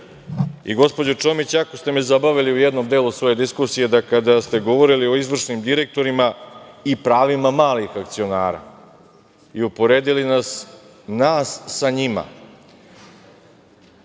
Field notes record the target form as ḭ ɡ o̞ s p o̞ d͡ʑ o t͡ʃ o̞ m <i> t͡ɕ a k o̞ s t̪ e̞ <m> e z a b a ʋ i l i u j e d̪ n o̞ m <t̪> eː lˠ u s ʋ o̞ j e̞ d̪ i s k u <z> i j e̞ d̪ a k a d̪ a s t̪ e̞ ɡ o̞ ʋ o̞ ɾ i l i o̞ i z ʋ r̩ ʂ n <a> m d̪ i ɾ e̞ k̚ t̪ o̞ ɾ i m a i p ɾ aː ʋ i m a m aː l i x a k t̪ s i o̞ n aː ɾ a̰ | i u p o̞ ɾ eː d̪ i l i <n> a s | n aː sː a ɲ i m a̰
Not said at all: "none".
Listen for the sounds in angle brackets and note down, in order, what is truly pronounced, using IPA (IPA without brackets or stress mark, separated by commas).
i, m, d̪, s, i, n